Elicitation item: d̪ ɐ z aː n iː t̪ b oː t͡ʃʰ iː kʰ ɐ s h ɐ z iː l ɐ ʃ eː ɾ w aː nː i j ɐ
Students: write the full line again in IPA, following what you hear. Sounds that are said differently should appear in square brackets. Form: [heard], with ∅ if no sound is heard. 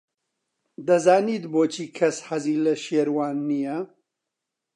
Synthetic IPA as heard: d̪ ɐ z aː n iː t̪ b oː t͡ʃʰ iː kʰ ɐ s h ɐ z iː l ɐ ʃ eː ɾ w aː nː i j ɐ

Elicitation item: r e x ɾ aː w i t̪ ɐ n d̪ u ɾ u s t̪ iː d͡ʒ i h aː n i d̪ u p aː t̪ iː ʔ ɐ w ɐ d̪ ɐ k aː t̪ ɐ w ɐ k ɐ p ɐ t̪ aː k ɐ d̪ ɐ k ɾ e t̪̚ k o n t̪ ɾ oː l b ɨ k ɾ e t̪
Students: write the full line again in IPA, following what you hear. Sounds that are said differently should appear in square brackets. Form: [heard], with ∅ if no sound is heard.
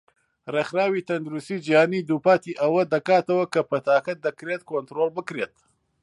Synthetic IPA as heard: r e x ɾ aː w i t̪ ɐ n d̪ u ɾ u s t̪ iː d͡ʒ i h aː n i d̪ u p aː t̪ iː ʔ ɐ w ɐ d̪ ɐ k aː t̪ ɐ w ɐ k ɐ p ɐ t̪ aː k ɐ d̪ ɐ k ɾ e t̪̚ k o n t̪ ɾ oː l b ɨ k ɾ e t̪

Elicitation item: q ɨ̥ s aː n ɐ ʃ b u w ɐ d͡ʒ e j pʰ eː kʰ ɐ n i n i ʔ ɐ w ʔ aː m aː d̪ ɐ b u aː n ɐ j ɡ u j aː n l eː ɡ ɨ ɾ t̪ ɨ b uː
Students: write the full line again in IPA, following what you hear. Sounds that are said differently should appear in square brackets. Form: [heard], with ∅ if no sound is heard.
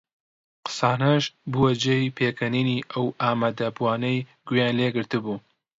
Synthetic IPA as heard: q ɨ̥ s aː n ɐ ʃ b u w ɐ d͡ʒ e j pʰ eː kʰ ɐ n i n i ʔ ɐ w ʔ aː m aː d̪ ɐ b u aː n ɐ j ɡ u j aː n l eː ɡ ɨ ɾ t̪ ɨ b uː

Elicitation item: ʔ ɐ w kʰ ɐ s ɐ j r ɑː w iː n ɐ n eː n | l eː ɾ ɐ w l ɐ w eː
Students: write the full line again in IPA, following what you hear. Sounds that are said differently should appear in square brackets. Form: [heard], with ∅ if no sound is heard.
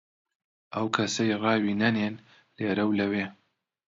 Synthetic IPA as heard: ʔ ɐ w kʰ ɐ s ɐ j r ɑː w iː n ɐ n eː n | l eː ɾ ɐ w l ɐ w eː

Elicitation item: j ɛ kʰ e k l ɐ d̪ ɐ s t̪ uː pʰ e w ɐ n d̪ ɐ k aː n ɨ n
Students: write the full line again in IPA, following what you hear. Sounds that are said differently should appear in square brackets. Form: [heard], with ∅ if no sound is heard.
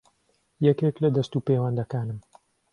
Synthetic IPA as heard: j ɛ [k] e k l ɐ d̪ ɐ s t̪ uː [p] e w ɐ n d̪ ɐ k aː n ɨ [m]

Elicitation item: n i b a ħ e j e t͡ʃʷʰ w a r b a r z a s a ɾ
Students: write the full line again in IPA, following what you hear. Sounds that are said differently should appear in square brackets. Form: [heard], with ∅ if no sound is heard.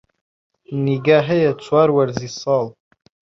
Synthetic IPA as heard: n i [ɡ] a ħ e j [a] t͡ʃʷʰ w a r [w] a r z [i] s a [l]

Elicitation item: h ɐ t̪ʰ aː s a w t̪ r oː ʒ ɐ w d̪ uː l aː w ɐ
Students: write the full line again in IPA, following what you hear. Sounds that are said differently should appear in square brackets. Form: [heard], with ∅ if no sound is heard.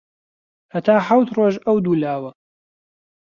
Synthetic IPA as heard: h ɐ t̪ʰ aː [ħ] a w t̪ r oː ʒ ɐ w d̪ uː l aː w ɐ

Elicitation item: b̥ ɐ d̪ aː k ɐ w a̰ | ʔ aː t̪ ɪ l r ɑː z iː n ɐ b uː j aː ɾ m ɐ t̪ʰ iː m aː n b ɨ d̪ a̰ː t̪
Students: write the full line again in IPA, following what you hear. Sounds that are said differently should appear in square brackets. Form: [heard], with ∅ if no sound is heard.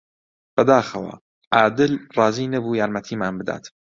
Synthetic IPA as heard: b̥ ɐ d̪ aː [x] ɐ w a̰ | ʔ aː [d̪] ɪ l r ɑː z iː n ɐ b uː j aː ɾ m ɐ t̪ʰ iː m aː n b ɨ d̪ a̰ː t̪

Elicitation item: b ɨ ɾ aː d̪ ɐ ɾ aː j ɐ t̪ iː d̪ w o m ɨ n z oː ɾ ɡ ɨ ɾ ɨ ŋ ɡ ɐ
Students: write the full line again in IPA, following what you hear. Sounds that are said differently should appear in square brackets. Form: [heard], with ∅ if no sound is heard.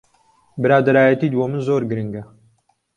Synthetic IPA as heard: b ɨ ɾ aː d̪ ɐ ɾ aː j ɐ t̪ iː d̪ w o m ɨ n z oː ɾ ɡ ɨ ɾ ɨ ŋ ɡ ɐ

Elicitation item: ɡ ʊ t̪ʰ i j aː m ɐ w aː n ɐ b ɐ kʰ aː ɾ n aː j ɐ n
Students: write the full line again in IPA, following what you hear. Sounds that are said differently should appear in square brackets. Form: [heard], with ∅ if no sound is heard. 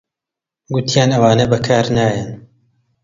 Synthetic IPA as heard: ɡ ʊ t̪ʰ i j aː [n] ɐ w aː n ɐ b ɐ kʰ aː ɾ n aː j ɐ n

